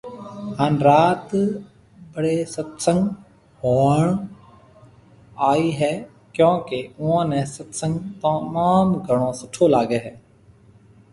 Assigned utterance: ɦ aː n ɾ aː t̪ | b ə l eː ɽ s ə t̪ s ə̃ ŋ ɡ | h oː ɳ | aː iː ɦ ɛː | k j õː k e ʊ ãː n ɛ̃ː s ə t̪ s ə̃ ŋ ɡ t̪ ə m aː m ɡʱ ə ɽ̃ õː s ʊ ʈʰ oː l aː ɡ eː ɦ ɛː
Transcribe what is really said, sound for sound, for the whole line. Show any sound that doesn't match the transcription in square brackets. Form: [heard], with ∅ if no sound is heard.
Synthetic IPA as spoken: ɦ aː n ɾ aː t̪ | b ə [ɽ] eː [∅] s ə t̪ s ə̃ ŋ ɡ | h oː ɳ | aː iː ɦ ɛː | k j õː k e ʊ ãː n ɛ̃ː s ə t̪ s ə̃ ŋ ɡ t̪ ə m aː m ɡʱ ə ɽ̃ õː s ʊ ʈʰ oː l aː ɡ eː ɦ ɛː